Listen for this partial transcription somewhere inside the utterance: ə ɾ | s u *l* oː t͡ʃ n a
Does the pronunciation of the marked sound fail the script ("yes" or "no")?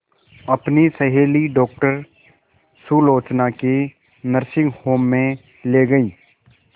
no